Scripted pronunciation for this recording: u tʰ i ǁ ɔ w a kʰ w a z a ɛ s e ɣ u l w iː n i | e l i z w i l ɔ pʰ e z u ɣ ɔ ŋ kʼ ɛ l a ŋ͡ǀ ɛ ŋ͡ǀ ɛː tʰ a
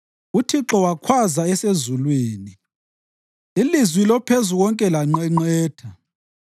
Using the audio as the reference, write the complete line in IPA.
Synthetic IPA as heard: u tʰ i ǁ ɔ w a kʰ w a z a ɛ s e z u l w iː n i | i l i z w i l ɔ pʰ e z u ɣ ɔ ŋ kʼ ɛ l a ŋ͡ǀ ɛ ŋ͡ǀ ɛː tʰ a